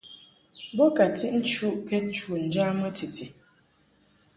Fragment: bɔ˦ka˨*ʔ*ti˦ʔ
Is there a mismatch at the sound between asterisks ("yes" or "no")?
yes